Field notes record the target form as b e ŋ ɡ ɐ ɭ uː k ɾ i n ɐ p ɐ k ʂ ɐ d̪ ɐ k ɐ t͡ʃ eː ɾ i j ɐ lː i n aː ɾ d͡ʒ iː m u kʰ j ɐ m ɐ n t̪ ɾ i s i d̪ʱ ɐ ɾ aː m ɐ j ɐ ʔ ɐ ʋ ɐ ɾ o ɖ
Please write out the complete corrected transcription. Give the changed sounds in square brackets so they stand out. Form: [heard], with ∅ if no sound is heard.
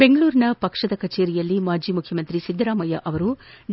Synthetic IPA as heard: b e ŋ ɡ ɐ ɭ uː [∅] ɾ i n ɐ p ɐ k ʂ ɐ d̪ ɐ k ɐ t͡ʃ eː ɾ i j ɐ lː i [m] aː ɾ d͡ʒ iː m u kʰ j ɐ m ɐ n t̪ ɾ i s i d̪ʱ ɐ ɾ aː m ɐ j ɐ ʔ ɐ ʋ ɐ ɾ [u] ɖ